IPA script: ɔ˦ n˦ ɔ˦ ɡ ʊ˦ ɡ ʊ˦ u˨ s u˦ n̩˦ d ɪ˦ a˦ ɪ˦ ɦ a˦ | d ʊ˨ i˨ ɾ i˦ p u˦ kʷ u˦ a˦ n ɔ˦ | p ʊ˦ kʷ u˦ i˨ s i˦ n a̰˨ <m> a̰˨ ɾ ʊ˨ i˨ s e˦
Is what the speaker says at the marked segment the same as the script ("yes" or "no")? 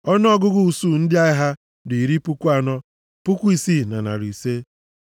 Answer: no